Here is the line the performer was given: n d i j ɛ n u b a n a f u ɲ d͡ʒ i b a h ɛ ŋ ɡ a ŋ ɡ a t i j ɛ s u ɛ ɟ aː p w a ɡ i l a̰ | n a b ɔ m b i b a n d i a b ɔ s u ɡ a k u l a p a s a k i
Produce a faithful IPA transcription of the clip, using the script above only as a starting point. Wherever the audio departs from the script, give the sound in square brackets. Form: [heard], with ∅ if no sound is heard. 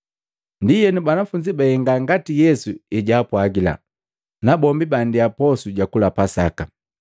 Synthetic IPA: n d i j ɛ n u b a n a f u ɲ d͡ʒ i b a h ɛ ŋ ɡ a ŋ ɡ a t i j ɛ s u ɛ ɟ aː p w a ɡ i l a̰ | n a b ɔ m b i b a n d i a [p] ɔ s u [ɟ] a k u l a p a s a k [a]

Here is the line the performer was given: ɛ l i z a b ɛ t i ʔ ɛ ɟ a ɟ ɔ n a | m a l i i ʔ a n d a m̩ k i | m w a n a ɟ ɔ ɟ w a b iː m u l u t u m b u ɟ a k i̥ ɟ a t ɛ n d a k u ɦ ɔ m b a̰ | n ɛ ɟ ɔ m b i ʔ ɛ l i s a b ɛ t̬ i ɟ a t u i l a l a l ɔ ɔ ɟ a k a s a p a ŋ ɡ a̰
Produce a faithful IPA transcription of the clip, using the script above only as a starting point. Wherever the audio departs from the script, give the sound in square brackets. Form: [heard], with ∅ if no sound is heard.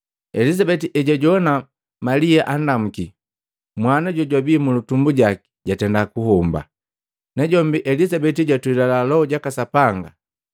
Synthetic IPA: ɛ l i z a b ɛ t i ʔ ɛ ɟ a ɟ ɔ n a | m a l i [a] ʔ a n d a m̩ k i | m w a n a ɟ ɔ ɟ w a b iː m u l u t u m b u ɟ a k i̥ ɟ a t ɛ n d a k u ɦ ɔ m b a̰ | n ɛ ɟ ɔ m b i ʔ ɛ l i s a b ɛ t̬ i ɟ a t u i l a l a l ɔ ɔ ɟ a k a s a p a ŋ ɡ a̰

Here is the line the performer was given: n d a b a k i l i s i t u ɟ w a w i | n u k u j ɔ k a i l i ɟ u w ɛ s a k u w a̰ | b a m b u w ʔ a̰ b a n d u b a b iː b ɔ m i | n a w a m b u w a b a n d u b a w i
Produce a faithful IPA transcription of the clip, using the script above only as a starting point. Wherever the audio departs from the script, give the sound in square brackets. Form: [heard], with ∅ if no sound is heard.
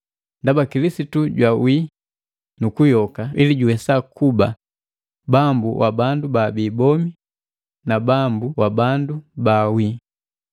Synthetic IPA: n d a b a k i l i s i t u ɟ w a w i | n u k u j ɔ k a i l i ɟ u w ɛ s a k u [b] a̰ | b a m b u w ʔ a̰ b a n d u b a b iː b ɔ m i | n a [b] a m b u w a b a n d u b a w i

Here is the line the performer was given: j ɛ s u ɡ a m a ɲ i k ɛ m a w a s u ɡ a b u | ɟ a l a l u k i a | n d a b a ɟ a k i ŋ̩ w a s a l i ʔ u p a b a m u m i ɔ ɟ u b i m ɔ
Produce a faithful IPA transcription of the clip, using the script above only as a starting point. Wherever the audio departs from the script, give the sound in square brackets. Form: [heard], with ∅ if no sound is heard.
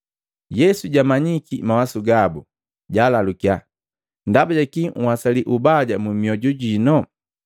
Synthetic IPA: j ɛ s u [ɟ] a m a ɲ i k [i] m a w a s u ɡ a b u | ɟ a l a l u k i a | n d a b a ɟ a k i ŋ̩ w a s a l i ʔ u [b] a [ɟ] a m u m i ɔ ɟ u [ɟ] i [n] ɔ

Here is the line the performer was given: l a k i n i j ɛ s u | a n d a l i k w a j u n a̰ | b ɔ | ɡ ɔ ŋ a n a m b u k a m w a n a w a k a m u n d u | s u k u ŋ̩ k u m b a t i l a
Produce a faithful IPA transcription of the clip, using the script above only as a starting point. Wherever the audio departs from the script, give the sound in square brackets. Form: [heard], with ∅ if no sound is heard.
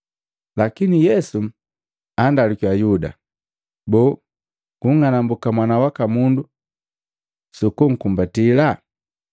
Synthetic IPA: l a k i n i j ɛ s u | a n d a l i k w a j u [d] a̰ | b ɔ | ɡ [u] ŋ a n a m b u k a m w a n a w a k a m u n d u | s u k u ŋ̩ k u m b a t i l a

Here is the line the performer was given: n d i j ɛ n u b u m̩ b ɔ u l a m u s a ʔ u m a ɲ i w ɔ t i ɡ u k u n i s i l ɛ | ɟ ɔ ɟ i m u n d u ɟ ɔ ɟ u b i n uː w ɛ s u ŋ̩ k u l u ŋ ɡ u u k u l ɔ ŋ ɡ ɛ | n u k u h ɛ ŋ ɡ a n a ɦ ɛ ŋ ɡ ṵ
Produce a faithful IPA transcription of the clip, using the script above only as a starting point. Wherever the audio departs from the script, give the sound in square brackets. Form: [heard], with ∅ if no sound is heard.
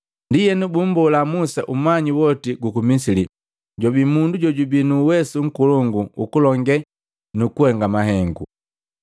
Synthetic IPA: n d i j ɛ n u b u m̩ b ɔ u l a m u s a ʔ u m a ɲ i w ɔ t i ɡ u k u [m] i s i l [i] | ɟ ɔ [b] i m u n d u ɟ ɔ ɟ u b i n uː w ɛ s u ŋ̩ k u l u ŋ ɡ u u k u l ɔ ŋ ɡ ɛ | n u k u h ɛ ŋ ɡ a [m] a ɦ ɛ ŋ ɡ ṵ

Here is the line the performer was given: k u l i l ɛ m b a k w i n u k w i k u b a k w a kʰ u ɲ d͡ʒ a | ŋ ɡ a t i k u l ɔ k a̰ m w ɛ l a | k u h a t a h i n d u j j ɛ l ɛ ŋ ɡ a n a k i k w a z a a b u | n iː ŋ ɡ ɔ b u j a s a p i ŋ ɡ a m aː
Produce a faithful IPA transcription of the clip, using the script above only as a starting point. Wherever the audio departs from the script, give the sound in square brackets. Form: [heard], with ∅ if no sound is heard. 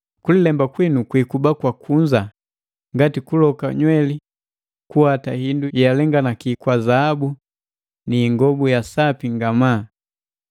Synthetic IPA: k u l i l ɛ m b a k w i n u k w i k u b a k w a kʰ u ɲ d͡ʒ a | ŋ ɡ a t i k u l ɔ k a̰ [ɲ] w ɛ l [i] | k u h a t a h i n d u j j [a] l ɛ ŋ ɡ a n a k i k w a z a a b u | n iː ŋ ɡ ɔ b u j a s a p i ŋ ɡ a m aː

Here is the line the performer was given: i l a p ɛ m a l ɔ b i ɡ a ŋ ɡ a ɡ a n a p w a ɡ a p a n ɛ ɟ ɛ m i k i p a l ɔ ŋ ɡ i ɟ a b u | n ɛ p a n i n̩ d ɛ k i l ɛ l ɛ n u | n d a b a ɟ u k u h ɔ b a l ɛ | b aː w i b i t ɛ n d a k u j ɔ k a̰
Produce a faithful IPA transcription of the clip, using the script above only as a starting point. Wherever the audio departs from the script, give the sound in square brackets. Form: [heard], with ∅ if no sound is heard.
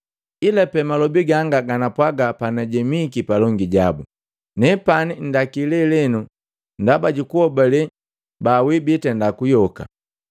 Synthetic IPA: i l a p ɛ m a l ɔ b i ɡ a ŋ ɡ a ɡ a n a p w a ɡ a p a n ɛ ɟ ɛ m i k i p a l ɔ ŋ ɡ i ɟ a b u | n ɛ p a n i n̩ d [a] k i l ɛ l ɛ n u | n d a b a ɟ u k u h ɔ b a l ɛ | b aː w i b i t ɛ n d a k u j ɔ k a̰

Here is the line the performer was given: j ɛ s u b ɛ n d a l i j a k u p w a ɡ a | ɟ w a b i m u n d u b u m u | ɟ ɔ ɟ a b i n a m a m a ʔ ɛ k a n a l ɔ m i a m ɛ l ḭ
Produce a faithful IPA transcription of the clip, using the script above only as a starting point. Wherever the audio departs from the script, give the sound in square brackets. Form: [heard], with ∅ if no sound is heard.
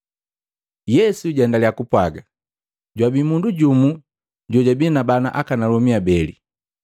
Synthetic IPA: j ɛ s u [ɟ] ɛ n d a l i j a k u p w a ɡ a | ɟ w a b i m u n d u [ɟ] u m u | ɟ ɔ ɟ a b i n a [b] a [n] a ʔ [a] k a n a l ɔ m i a [b] ɛ l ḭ

